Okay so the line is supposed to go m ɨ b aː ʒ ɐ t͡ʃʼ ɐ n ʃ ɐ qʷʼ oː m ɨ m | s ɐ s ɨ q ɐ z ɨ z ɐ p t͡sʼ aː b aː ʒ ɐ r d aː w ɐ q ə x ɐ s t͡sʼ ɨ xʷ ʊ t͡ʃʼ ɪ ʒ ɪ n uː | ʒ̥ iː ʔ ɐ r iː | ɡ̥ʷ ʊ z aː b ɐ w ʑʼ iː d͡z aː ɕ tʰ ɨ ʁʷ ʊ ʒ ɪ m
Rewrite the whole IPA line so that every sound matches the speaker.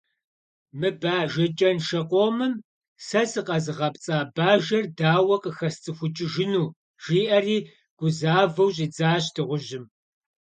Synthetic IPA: m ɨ b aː ʒ ɐ t͡ʃʼ ɐ n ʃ ɐ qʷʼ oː m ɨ m | s ɐ s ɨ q ɐ z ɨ ʁ ɐ p t͡sʼ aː b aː ʒ ɐ r d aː w ɐ q ə x ɐ s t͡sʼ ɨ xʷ ʊ t͡ʃʼ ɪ ʒ ɪ n uː | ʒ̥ iː ʔ ɐ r iː | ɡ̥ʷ ʊ z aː v ɐ w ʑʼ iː d͡z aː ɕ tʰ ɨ ʁʷ ʊ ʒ ɪ m